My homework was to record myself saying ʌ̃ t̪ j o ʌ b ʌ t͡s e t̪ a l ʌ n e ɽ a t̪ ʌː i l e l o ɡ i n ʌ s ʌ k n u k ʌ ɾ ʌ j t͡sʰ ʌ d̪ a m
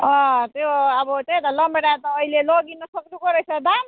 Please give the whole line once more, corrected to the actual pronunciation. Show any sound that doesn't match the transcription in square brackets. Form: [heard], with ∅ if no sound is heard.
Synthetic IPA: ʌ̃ t̪ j o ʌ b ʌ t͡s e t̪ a l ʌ [m] e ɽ a t̪ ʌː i l e l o ɡ i n ʌ s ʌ k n u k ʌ ɾ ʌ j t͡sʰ ʌ d̪ a m

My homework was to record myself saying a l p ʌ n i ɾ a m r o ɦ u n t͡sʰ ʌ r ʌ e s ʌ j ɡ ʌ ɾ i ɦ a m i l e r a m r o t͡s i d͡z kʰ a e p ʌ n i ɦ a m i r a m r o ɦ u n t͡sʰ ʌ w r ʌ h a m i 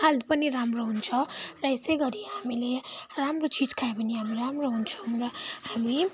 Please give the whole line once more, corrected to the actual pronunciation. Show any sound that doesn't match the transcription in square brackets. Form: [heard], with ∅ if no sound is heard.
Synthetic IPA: a l p ʌ n i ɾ a m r o ɦ u n t͡sʰ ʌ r ʌ e s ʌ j ɡ ʌ ɾ i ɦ a m i l e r a m r o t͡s i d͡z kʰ a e p ʌ n i ɦ a m i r a m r o ɦ u n t͡sʰ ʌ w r ʌ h a m i

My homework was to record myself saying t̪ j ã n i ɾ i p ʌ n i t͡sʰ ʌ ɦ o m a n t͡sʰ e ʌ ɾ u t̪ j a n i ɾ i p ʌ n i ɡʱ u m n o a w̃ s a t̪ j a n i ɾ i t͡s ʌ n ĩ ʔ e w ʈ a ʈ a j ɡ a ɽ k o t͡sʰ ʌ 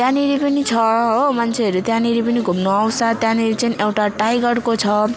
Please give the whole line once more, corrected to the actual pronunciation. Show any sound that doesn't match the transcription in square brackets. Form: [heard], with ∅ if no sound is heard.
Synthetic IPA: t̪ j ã n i ɾ i p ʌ n i t͡sʰ ʌ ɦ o m a n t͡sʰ e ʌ ɾ u t̪ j a n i ɾ i p ʌ n i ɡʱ u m n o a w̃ s a t̪ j a n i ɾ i t͡s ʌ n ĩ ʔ e w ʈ a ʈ a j ɡ [ʌ] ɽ k o t͡sʰ ʌ

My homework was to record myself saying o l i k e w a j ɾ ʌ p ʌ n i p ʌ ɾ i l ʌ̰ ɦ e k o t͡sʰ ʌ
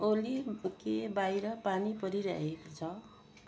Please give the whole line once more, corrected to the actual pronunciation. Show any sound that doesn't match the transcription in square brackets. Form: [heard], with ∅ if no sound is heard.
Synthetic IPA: o l i k e [b] a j ɾ ʌ p [a] n i p ʌ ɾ i [ɾ] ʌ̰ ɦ e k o t͡sʰ ʌ

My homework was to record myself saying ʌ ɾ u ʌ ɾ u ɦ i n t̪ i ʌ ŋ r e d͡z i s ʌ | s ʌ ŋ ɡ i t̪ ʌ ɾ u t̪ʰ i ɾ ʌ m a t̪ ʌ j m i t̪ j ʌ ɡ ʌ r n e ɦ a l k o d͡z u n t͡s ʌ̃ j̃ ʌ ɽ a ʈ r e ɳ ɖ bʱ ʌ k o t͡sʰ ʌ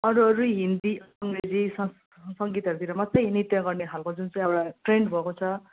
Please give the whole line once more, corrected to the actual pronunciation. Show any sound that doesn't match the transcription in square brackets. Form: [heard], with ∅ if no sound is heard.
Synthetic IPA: ʌ ɾ u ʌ ɾ u ɦ i n [d̪] i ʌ ŋ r e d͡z i s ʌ | s ʌ ŋ ɡ i t̪ ʌ ɾ u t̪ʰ i ɾ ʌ m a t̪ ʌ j [n] i t̪ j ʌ ɡ ʌ r n e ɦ a l k o d͡z u n t͡s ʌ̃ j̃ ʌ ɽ a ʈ r e ɳ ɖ bʱ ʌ k o t͡sʰ ʌ

